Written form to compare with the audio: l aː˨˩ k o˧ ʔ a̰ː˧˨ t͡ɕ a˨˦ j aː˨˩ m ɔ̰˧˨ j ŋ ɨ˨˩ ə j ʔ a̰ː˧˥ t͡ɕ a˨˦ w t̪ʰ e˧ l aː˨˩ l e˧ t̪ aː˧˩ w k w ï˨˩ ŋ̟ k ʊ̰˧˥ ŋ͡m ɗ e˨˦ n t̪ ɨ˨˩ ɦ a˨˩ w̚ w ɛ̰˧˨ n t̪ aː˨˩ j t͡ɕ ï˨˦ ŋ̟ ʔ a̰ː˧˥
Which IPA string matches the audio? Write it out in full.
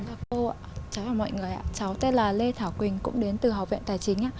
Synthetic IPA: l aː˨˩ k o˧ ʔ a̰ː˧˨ t͡ɕ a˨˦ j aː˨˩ m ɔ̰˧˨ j ŋ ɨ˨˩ ə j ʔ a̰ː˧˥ t͡ɕ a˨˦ w t̪ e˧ l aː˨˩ l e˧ t̪ʰ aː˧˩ w k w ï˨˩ ŋ̟ k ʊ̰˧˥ ŋ͡m ɗ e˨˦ n t̪ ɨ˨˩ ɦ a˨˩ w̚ v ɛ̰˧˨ n t̪ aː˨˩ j t͡ɕ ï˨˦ ŋ̟ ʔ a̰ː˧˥

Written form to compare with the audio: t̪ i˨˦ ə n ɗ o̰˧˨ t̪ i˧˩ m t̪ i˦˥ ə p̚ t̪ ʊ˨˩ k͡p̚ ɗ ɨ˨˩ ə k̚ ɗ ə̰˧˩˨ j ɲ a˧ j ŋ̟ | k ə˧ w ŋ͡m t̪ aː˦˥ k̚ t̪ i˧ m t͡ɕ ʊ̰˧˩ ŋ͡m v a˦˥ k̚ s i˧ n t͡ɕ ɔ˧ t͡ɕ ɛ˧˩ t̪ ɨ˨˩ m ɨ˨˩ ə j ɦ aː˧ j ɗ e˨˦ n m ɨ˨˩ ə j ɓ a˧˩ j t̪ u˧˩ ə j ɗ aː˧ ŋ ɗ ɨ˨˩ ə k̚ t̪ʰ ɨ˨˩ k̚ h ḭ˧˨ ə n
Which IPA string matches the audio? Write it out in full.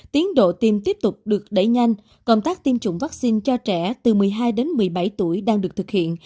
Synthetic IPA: t̪ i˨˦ ə n ɗ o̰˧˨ t̪ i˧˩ m t̪ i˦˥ ə p̚ t̪ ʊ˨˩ k͡p̚ ɗ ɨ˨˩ ə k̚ ɗ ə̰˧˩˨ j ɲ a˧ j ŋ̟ | k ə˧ w ŋ͡m t̪ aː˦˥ k̚ t̪ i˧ m t͡ɕ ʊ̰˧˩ ŋ͡m v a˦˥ k̚ s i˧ n t͡ɕ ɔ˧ t͡ɕ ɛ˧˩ t̪ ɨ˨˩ m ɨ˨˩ ə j ɦ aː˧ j ɗ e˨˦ n m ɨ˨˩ ə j ɓ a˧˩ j t̪ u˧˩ ə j ɗ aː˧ ŋ ɗ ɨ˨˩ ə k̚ t̪ʰ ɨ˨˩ k̚ h ḭ˧˨ ə n

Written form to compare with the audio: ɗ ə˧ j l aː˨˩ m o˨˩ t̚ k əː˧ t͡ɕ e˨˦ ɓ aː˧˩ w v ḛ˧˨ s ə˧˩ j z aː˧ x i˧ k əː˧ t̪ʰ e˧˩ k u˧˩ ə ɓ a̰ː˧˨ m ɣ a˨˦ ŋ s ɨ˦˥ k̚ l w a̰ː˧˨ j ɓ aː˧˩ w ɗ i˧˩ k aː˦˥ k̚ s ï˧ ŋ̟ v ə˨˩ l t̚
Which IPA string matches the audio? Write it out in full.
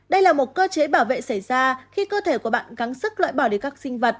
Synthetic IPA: ɗ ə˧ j l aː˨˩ m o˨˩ t̚ k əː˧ t͡ɕ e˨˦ ɓ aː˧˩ w v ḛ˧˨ s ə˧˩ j z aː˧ x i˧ k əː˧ t̪ʰ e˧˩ k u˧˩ ə ɓ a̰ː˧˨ n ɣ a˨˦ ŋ s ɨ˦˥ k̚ l w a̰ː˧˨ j ɓ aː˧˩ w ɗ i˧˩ k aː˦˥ k̚ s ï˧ ŋ̟ v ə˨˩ t̚

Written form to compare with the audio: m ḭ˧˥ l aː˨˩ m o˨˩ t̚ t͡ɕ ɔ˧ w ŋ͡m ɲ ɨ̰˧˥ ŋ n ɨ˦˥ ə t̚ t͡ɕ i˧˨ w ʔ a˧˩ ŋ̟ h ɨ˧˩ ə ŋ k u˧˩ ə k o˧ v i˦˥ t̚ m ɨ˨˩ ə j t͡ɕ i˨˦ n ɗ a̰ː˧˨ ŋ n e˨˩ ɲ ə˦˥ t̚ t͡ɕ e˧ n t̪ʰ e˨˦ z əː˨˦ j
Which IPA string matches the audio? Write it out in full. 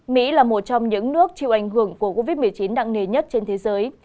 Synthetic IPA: m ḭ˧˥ l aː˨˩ m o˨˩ t̚ t͡ɕ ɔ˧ w ŋ͡m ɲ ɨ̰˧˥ ŋ n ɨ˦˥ ə k̚ t͡ɕ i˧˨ w ʔ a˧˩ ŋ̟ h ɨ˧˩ ə ŋ k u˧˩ ə k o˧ v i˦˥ t̚ m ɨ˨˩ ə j t͡ɕ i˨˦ n ɗ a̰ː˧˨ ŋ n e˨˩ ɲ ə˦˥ t̚ t͡ɕ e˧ n t̪ʰ e˨˦ z əː˨˦ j

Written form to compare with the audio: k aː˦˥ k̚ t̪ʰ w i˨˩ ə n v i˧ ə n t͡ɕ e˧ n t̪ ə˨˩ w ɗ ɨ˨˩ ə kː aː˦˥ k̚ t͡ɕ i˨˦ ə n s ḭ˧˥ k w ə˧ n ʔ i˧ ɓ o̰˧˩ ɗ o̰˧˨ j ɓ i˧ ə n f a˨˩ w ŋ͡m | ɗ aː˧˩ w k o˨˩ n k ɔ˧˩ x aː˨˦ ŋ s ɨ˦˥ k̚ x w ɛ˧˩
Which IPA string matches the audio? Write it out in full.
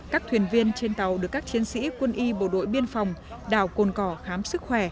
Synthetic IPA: k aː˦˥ k̚ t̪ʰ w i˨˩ ə n v i˧ ə n t͡ɕ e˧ n t̪ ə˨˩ w ɗ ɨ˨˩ ə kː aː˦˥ k̚ t͡ɕ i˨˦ ə n s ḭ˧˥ k w ə˧ n ʔ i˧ ɓ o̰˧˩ ɗ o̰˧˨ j ɓ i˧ ə n f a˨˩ w ŋ͡m | ɗ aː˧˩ w k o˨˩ n k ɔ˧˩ x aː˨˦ m s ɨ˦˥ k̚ x w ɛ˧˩

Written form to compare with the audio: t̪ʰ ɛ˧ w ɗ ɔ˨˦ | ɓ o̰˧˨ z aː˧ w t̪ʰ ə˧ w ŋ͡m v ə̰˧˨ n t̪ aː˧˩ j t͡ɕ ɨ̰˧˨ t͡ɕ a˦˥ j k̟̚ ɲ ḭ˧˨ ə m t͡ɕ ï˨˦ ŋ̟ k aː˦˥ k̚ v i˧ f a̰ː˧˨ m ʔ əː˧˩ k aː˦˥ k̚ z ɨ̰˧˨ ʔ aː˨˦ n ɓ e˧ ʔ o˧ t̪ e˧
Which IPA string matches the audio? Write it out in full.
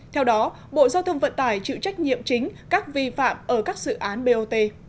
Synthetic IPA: t̪ʰ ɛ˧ w ɗ ɔ˨˦ | ɓ o̰˧˨ z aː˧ w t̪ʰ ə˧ w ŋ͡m v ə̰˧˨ n t̪ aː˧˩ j t͡ɕ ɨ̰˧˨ t͡ɕ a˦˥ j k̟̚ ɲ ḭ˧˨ ə m t͡ɕ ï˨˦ ŋ̟ k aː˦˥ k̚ v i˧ f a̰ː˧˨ m ʔ əː˧˩ k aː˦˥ k̚ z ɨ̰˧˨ ʔ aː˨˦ n ɓ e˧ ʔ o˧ t̪ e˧

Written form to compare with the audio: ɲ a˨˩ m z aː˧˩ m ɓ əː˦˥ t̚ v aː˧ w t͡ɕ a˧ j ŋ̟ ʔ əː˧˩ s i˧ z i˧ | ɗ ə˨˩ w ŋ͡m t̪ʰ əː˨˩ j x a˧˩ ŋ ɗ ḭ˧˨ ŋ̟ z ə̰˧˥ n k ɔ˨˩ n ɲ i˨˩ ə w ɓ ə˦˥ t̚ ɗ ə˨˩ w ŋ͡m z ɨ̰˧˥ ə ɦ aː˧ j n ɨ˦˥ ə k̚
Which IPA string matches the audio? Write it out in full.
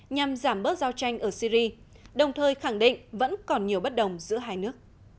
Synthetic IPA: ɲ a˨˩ m z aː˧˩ m ɓ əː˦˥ t̚ z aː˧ w t͡ɕ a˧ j ŋ̟ ʔ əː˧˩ s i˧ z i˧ | ɗ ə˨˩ w ŋ͡m t̪ʰ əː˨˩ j x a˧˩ ŋ ɗ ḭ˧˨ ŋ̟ v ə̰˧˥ n k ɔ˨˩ n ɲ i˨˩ ə w ɓ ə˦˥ t̚ ɗ ə˨˩ w ŋ͡m z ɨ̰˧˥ ə ɦ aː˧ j n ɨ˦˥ ə k̚

